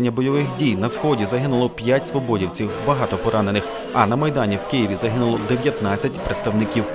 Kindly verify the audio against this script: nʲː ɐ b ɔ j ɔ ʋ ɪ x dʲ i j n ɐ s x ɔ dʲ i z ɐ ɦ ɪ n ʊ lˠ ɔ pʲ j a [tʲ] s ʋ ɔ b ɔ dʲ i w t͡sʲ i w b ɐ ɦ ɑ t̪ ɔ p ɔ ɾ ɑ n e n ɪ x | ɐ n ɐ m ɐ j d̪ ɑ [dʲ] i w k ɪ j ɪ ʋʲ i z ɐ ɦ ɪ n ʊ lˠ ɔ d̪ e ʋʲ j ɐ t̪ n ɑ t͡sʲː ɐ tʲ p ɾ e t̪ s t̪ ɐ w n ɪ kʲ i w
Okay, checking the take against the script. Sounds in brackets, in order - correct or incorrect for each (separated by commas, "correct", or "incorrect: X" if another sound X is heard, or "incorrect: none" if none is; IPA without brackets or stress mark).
correct, incorrect: nʲ